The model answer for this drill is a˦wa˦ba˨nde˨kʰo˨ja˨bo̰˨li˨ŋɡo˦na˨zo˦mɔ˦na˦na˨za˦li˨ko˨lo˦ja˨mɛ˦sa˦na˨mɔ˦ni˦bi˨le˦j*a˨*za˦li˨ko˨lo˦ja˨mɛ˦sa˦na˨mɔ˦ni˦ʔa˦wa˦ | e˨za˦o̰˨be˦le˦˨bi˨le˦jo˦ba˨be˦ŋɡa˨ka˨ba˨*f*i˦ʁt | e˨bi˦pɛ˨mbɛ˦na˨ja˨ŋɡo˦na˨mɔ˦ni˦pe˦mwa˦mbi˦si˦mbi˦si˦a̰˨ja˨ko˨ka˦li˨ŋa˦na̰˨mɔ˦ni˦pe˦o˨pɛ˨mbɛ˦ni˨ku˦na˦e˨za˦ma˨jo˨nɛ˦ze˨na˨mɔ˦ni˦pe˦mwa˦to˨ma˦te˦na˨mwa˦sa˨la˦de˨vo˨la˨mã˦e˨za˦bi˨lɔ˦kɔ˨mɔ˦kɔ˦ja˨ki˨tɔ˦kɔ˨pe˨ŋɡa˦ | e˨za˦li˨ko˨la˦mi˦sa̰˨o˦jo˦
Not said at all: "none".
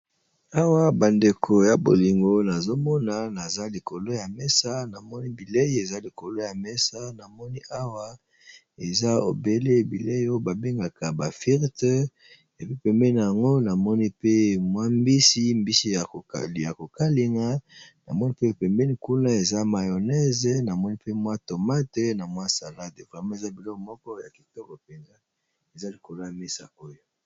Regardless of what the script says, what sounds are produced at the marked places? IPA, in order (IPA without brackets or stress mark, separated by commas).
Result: e˨, f